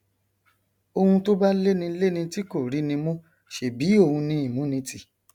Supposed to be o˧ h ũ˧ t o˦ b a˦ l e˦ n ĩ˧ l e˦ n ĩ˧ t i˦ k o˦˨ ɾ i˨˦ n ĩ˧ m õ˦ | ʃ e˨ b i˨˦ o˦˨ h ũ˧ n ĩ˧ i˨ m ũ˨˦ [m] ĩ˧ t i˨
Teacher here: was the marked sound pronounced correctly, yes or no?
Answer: no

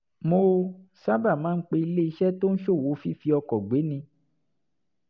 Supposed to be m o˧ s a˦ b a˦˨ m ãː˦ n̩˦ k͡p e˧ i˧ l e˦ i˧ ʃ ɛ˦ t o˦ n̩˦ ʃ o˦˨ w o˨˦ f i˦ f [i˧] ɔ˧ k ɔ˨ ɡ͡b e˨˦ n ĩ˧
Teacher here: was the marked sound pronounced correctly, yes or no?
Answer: yes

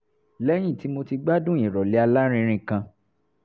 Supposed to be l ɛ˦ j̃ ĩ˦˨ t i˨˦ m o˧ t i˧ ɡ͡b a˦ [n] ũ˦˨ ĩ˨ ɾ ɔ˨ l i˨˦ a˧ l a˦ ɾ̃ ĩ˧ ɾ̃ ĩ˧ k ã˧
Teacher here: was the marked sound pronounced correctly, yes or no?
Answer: no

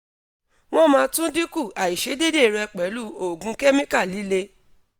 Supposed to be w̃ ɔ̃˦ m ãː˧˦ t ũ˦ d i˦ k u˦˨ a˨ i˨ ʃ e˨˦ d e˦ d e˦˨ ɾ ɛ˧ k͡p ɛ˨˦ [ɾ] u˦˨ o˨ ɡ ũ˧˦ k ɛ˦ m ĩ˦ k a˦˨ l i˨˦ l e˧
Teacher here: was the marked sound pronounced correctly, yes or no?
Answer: no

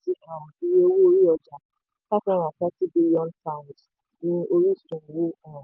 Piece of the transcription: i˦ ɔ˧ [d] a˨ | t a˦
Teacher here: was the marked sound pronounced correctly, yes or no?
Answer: no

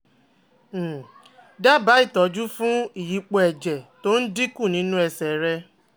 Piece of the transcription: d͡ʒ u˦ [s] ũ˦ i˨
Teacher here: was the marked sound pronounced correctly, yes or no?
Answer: no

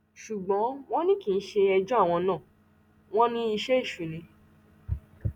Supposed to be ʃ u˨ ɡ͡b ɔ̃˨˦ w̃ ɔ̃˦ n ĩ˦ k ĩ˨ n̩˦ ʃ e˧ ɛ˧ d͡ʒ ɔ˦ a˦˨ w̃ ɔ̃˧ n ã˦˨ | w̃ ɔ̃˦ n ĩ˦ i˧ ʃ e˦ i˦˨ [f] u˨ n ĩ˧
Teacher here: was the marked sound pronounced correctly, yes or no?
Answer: no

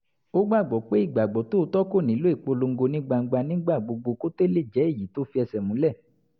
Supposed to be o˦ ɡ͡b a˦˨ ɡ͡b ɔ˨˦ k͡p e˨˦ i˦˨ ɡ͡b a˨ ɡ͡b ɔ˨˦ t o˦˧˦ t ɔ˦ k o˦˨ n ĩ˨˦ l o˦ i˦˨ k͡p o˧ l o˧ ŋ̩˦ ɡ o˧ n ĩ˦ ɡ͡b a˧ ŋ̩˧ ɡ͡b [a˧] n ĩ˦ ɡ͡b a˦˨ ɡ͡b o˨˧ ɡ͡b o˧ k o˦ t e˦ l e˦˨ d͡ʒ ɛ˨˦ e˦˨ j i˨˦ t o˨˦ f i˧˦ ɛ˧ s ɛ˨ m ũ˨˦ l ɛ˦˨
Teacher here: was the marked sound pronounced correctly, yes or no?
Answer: yes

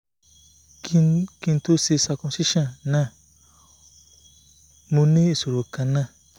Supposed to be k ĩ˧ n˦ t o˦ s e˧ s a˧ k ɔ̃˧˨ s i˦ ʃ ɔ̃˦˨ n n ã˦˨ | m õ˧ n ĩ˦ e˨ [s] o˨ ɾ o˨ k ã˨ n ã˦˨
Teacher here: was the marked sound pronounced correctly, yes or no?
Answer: yes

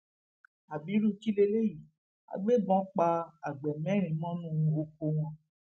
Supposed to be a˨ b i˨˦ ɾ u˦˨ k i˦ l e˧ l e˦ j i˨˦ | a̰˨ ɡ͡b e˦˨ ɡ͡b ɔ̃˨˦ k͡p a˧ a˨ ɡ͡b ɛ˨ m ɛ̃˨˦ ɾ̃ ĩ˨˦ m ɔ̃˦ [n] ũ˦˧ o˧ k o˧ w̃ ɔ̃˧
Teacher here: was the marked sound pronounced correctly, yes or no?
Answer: yes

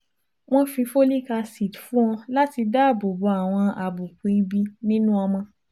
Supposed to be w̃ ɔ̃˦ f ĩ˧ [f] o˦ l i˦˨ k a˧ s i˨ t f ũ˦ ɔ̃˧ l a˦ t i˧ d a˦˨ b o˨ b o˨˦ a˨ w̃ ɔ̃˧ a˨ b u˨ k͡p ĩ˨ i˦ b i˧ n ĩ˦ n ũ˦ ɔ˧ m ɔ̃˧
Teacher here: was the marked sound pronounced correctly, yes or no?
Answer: yes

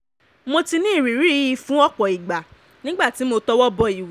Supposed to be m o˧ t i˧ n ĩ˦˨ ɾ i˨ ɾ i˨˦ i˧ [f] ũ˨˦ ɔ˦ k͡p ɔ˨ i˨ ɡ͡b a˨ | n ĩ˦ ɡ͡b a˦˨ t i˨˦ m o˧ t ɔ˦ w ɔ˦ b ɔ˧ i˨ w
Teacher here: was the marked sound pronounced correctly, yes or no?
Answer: yes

